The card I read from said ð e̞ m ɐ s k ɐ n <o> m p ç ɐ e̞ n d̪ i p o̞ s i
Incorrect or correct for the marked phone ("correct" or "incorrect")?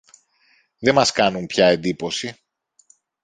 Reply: incorrect